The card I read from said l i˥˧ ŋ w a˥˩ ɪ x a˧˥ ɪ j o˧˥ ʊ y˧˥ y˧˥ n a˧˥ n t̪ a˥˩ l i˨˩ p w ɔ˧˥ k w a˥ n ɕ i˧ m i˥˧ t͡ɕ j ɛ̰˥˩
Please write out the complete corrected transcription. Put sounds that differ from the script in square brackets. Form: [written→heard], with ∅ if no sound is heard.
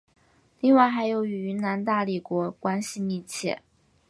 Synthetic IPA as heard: l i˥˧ ŋ w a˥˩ ɪ x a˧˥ ɪ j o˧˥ ʊ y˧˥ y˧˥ n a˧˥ n t̪ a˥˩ l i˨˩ [p→k] w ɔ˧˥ k w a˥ n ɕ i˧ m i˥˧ [t͡ɕ→t͡ɕʰ] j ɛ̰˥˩